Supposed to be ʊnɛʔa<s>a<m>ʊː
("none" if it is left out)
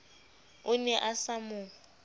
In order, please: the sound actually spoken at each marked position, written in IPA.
s, m

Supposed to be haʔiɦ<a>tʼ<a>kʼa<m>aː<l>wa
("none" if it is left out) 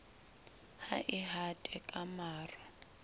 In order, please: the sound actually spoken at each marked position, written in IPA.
a, ɛ, m, r

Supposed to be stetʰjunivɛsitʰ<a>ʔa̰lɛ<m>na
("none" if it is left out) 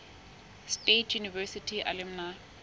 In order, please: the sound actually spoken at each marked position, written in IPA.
i, m

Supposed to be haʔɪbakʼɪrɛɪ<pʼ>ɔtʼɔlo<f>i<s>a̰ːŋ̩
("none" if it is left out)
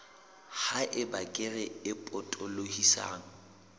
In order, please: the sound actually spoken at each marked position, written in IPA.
pʼ, h, s

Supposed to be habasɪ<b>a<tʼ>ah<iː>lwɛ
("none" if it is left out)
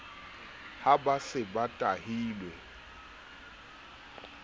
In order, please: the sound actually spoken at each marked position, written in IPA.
b, tʼ, iː

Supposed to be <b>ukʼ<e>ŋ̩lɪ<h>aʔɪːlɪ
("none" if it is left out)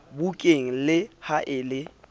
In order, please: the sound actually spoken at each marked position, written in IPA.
b, e, h

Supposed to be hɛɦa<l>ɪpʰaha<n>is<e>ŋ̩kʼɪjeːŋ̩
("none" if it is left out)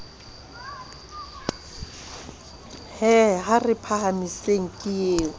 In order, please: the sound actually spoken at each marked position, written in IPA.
r, m, e

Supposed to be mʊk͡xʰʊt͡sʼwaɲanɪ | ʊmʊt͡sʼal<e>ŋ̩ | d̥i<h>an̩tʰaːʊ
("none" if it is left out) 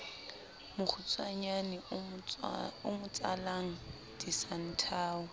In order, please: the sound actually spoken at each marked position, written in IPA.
a, s

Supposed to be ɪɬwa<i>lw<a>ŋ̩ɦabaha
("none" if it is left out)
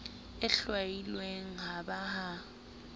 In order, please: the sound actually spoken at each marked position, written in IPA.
i, e

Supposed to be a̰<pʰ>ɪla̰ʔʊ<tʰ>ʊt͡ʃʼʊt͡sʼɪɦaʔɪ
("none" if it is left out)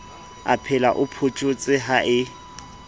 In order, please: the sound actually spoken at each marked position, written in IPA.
pʰ, pʰ

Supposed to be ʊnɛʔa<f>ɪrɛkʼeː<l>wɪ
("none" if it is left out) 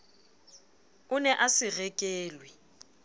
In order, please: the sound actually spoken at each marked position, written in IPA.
s, l

